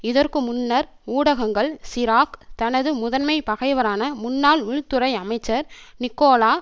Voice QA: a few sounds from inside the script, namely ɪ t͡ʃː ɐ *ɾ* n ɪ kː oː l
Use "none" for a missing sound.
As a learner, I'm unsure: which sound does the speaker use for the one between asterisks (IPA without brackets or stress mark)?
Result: ɾ